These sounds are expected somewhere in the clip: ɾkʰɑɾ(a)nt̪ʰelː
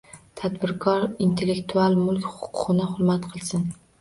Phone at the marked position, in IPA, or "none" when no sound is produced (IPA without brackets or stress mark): i